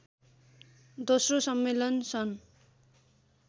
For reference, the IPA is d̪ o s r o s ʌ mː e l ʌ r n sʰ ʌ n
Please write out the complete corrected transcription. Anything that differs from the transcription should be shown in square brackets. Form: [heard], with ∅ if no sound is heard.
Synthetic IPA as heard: d̪ o s r o s ʌ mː e l ʌ [∅] n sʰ ʌ n